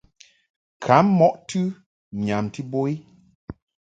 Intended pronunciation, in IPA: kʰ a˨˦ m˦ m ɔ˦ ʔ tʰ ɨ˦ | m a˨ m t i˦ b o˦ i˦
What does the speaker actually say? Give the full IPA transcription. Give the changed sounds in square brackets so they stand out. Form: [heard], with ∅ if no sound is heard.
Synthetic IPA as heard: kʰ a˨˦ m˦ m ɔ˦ ʔ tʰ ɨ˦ | [ɲ] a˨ m t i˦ b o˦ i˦